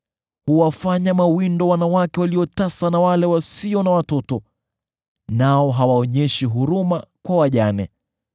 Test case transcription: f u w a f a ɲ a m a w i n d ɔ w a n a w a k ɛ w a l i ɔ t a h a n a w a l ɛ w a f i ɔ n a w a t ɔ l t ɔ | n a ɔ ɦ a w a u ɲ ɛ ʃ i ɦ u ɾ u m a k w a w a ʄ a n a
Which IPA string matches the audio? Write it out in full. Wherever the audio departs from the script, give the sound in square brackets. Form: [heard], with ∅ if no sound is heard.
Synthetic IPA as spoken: [h] u w a f a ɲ a m a w i n d ɔ w a n a w a k ɛ w a l i ɔ t a [s] a n a w a l ɛ w a [s] i ɔ n a w a t ɔ [∅] t ɔ | n a ɔ ɦ a w a [ɔ] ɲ ɛ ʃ i ɦ u ɾ u m a k w a w a ʄ a n [ɛ]